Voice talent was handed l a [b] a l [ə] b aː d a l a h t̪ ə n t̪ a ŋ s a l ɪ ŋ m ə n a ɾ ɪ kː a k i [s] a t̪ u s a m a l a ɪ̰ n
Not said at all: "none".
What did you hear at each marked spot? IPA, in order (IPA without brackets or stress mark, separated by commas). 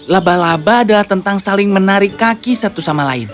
b, a, s